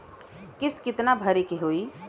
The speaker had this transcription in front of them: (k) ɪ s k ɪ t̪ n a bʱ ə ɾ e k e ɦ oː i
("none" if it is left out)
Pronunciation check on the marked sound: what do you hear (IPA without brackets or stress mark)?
k